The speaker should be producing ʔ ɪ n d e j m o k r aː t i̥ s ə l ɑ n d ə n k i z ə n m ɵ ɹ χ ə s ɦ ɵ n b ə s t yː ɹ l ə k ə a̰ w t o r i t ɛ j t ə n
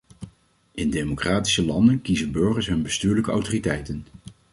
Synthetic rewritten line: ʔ ɪ n d e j m o k r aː t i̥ s ə l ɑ n d ə n k i z ə n b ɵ ɹ χ ə s ɦ ɵ n b ə s t yː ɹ l ə k ə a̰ w t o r i t ɛ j t ə n